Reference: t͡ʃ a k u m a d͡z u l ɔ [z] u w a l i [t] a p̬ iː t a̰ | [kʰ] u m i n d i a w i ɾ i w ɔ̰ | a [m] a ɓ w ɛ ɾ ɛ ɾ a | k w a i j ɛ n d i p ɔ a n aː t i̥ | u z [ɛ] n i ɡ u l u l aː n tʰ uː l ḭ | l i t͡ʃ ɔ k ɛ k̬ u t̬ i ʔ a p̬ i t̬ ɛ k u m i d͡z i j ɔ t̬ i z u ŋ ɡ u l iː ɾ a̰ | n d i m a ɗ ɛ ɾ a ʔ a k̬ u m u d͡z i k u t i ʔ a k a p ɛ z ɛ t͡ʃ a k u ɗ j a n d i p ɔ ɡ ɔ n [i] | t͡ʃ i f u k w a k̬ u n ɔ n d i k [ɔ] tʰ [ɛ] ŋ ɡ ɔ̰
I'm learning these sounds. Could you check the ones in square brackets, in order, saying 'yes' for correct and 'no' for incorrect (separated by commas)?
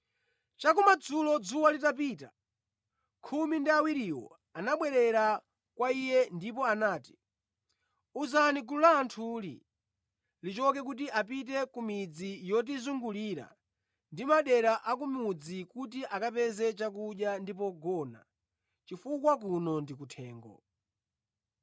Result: no, yes, yes, no, no, no, no, no